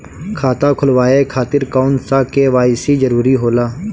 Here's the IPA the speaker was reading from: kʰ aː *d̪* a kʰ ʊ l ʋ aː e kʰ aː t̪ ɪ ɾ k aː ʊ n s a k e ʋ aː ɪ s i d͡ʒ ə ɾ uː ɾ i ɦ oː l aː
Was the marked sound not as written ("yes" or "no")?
yes